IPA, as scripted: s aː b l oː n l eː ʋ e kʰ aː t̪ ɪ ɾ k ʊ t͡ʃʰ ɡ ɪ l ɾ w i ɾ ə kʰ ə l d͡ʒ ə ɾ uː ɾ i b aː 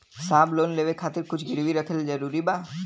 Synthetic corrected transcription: s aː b l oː n l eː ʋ e kʰ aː t̪ ɪ ɾ k ʊ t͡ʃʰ ɡ ɪ ɾ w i ɾ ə kʰ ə l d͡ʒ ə ɾ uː ɾ i b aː